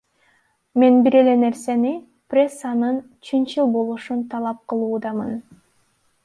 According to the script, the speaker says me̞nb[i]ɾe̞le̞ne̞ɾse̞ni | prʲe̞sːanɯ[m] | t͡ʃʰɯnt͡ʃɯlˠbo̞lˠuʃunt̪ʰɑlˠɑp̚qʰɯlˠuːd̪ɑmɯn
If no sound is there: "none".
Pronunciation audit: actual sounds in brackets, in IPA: i, n

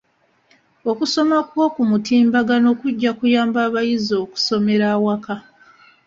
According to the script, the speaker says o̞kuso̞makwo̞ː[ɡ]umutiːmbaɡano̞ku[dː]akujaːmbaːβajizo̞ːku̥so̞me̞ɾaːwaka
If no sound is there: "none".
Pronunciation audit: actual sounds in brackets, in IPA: k, ɟː

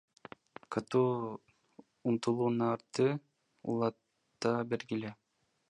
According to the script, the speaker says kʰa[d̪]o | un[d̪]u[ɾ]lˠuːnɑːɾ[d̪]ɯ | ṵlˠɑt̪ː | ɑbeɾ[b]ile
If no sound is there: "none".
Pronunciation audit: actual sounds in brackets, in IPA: t̪, t̪, none, t̪, ɡ

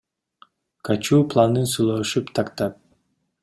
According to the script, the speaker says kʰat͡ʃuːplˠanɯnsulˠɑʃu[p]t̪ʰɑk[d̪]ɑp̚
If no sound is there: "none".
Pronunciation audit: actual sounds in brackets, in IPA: p, t̪

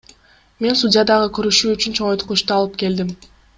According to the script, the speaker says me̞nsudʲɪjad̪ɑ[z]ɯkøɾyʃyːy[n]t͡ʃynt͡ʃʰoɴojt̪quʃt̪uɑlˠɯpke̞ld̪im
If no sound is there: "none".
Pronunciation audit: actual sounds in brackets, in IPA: ʁ, none

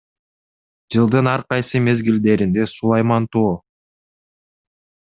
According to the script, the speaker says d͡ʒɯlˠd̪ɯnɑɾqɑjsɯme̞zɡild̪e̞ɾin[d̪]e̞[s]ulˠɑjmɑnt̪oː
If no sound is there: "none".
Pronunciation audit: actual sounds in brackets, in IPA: d̪, s

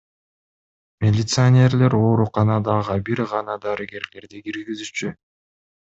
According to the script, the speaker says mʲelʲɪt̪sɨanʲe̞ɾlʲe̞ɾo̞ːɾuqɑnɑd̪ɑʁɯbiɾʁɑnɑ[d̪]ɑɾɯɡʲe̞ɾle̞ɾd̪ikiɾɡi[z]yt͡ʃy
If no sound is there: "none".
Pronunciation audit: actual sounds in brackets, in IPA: d̪, z

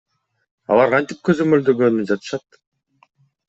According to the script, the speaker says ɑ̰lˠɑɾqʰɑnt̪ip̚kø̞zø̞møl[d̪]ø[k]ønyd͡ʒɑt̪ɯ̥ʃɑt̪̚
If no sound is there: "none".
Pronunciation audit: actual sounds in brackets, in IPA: d̪, ɡ

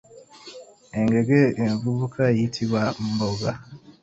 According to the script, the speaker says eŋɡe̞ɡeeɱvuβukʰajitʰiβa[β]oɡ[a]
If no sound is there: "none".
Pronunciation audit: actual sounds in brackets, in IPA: b, a

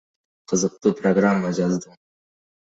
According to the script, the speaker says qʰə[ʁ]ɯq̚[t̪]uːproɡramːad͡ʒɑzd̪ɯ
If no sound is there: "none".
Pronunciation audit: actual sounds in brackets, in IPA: z, t̪

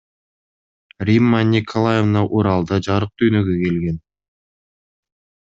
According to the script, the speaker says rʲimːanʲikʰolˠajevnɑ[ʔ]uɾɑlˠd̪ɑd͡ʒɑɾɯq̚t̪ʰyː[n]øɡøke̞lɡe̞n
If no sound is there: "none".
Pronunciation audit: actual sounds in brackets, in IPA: ʔ, n

